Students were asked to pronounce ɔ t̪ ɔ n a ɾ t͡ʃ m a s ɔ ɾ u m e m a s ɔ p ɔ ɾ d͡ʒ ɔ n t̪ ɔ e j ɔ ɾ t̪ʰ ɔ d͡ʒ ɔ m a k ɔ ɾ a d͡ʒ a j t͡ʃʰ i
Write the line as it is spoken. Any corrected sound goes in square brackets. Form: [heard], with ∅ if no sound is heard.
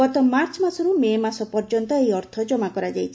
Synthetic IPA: ɔ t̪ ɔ [m] a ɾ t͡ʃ m a s ɔ ɾ u m e m a s ɔ p ɔ ɾ d͡ʒ ɔ n t̪ ɔ e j ɔ ɾ t̪ʰ ɔ d͡ʒ ɔ m a k ɔ ɾ a d͡ʒ a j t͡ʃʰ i